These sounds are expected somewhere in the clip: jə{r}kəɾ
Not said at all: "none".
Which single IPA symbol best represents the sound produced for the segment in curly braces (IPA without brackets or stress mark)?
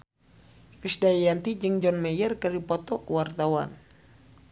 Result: r